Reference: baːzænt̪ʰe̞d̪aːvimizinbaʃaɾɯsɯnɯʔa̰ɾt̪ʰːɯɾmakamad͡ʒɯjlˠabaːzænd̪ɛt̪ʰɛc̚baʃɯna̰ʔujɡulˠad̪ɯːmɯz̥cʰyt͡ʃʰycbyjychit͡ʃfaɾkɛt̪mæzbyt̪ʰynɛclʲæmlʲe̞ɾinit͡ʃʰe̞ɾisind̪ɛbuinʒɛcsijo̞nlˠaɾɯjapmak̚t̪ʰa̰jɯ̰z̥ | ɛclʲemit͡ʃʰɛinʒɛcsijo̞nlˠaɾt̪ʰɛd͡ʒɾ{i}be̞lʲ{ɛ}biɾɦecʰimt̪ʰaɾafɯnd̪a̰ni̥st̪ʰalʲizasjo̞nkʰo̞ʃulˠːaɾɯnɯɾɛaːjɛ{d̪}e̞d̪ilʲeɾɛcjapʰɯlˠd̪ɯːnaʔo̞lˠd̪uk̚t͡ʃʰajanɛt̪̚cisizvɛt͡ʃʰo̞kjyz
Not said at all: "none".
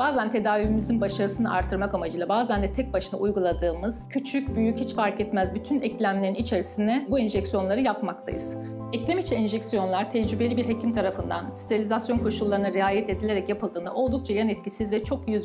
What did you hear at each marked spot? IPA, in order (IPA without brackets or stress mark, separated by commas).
y, i, t̪